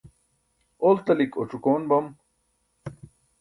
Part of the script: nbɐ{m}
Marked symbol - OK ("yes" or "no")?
yes